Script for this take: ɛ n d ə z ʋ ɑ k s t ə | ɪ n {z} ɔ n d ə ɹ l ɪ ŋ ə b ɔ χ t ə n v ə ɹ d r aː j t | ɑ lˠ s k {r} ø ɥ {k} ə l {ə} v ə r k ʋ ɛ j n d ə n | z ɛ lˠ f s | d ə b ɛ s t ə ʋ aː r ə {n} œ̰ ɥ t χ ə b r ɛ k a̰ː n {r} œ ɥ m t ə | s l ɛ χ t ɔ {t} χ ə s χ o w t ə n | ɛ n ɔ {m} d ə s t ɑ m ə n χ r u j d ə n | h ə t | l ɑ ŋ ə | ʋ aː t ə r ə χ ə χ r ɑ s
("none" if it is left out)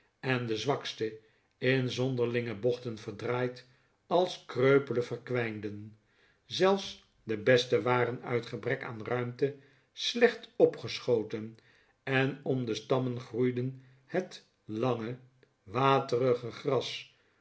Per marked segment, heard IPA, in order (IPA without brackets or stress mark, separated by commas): z, r, p, ə, n, r, p, m